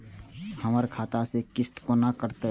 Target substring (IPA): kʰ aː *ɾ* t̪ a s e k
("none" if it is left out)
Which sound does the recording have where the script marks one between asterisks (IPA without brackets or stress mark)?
none